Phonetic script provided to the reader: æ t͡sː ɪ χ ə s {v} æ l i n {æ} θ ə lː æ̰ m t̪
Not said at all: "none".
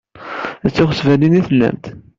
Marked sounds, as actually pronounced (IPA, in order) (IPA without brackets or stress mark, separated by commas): v, i